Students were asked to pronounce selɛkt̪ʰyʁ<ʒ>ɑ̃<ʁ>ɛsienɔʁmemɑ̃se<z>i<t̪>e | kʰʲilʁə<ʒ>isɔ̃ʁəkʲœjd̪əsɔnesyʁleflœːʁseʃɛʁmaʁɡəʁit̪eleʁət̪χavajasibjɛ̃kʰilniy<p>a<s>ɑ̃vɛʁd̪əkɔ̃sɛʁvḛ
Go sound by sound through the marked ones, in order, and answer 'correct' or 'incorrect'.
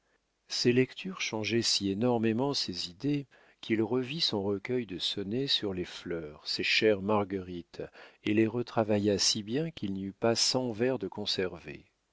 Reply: incorrect: ʃ, incorrect: ʒ, correct, incorrect: d̪, incorrect: v, correct, correct

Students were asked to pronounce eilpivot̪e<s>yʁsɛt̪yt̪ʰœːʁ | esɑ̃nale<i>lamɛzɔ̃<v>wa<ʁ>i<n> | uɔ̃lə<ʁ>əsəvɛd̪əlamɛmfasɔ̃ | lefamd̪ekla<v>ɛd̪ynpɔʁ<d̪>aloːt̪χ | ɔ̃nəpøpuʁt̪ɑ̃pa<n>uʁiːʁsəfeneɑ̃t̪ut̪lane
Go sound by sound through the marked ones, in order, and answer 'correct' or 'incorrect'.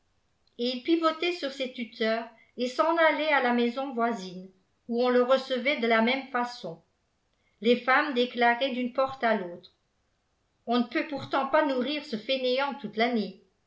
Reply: correct, incorrect: a, correct, incorrect: z, correct, correct, incorrect: ʁ, incorrect: t̪, correct

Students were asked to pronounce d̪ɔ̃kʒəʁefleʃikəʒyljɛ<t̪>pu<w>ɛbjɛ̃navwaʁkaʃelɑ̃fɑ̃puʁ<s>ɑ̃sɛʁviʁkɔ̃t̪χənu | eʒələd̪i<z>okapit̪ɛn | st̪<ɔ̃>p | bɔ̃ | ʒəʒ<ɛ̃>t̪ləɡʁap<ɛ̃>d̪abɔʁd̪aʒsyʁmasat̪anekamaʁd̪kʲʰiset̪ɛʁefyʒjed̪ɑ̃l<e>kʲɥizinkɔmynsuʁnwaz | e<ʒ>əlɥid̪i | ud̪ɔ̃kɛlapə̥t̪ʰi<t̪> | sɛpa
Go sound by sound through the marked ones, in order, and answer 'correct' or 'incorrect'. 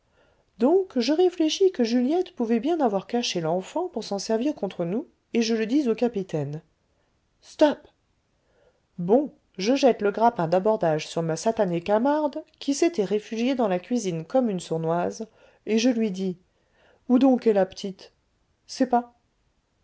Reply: correct, incorrect: v, correct, correct, incorrect: ɔ, incorrect: ɛ, correct, incorrect: a, correct, correct

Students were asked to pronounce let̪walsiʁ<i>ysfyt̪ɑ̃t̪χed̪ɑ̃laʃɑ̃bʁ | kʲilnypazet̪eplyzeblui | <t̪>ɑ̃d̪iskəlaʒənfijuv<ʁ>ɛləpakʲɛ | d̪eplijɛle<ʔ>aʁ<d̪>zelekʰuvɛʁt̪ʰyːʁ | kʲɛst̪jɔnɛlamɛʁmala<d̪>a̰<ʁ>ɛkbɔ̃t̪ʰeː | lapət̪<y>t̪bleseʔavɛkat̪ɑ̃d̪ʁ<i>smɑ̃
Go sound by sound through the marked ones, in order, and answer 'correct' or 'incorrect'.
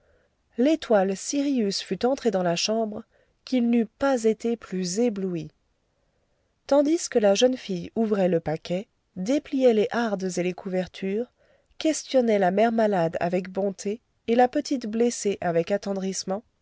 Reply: correct, correct, correct, correct, correct, correct, incorrect: v, incorrect: i, correct

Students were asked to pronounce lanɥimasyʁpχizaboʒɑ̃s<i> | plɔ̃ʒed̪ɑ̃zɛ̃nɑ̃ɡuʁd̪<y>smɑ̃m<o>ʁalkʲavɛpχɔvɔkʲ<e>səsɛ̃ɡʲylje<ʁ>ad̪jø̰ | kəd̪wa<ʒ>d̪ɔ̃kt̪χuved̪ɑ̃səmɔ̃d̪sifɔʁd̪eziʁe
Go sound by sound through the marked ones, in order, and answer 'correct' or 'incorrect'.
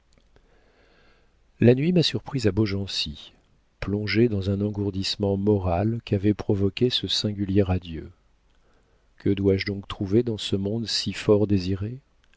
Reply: correct, incorrect: i, incorrect: ɔ, correct, correct, correct

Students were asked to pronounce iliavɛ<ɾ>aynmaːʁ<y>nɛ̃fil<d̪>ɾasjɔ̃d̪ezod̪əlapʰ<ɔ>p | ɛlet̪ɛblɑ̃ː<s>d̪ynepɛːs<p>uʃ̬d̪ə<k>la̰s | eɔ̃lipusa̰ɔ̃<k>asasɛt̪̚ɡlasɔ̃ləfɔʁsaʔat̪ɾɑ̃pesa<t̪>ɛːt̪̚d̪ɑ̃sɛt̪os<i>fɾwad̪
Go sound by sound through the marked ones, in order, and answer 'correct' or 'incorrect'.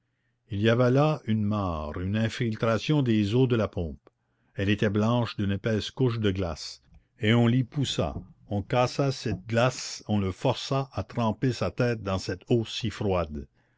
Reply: incorrect: l, correct, incorrect: t̪, incorrect: ɔ̃, incorrect: ʃ, incorrect: k, incorrect: ɡ, correct, correct, correct

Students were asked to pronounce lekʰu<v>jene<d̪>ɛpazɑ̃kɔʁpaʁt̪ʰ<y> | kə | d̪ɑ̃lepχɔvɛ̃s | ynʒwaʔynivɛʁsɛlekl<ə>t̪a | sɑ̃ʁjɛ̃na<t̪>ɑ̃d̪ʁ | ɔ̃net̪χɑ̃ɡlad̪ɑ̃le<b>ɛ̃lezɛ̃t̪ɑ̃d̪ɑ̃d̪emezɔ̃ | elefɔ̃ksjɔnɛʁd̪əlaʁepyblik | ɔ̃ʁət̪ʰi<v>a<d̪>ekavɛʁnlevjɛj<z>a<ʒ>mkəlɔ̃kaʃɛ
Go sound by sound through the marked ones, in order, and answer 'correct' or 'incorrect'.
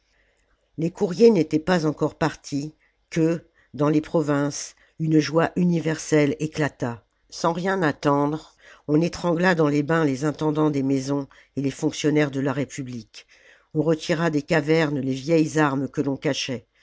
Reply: incorrect: ʁ, incorrect: t̪, incorrect: i, incorrect: a, correct, correct, incorrect: ʁ, correct, correct, incorrect: ʁ

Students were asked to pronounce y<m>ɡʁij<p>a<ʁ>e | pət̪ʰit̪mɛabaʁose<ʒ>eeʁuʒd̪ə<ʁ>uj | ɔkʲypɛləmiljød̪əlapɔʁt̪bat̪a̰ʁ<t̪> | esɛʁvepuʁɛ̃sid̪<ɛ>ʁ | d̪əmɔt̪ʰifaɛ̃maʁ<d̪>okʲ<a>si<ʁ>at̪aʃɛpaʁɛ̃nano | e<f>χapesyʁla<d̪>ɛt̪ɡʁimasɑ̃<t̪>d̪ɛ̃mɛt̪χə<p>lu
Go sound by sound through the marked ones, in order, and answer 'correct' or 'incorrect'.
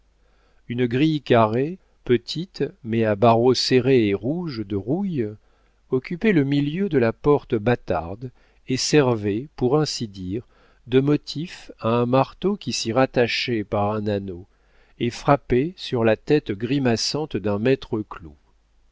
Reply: incorrect: n, incorrect: k, correct, incorrect: ʁ, correct, incorrect: d̪, incorrect: i, incorrect: t̪, incorrect: i, correct, correct, incorrect: t̪, correct, incorrect: k

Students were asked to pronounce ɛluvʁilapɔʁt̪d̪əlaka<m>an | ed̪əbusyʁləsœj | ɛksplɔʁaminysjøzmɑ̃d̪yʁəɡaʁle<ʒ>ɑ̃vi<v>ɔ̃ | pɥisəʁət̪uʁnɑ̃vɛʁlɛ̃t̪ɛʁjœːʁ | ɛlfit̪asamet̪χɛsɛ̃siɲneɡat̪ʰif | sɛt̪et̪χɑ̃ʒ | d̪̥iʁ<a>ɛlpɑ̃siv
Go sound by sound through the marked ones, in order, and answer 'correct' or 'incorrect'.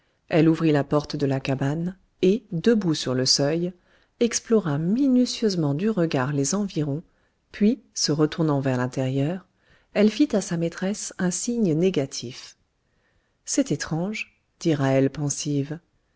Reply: incorrect: b, incorrect: z, incorrect: ʁ, correct

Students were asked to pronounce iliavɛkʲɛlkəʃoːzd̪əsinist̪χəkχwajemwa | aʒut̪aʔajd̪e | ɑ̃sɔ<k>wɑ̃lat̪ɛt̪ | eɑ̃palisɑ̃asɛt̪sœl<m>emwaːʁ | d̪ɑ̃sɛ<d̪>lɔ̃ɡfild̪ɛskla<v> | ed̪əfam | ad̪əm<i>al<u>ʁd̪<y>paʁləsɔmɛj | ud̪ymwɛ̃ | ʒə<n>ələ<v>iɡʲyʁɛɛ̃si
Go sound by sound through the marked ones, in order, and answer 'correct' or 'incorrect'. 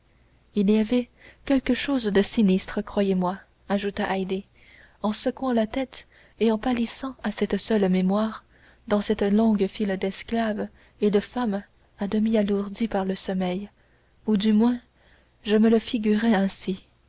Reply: correct, correct, incorrect: t̪, correct, correct, correct, incorrect: i, incorrect: m, incorrect: f

